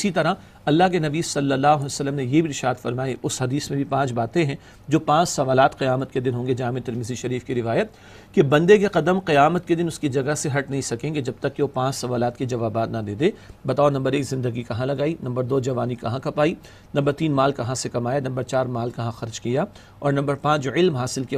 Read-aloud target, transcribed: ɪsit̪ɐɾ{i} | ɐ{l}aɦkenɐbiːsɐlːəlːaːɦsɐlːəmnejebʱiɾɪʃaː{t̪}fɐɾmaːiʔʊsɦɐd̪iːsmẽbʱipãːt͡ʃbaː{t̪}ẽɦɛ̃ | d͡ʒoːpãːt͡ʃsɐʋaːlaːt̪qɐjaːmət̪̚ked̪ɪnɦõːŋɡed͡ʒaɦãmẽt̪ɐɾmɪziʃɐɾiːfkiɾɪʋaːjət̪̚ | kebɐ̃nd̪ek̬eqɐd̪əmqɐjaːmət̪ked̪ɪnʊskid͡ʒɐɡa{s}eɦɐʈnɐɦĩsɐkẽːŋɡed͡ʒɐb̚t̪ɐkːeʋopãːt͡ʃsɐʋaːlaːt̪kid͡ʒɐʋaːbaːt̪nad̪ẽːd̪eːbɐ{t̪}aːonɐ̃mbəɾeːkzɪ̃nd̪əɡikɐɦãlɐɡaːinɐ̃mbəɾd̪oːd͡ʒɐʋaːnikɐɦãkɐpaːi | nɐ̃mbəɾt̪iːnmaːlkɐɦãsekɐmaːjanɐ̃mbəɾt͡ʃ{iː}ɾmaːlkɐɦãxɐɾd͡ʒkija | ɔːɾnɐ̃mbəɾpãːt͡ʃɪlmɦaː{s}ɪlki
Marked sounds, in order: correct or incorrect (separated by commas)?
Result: incorrect, incorrect, incorrect, correct, correct, correct, incorrect, correct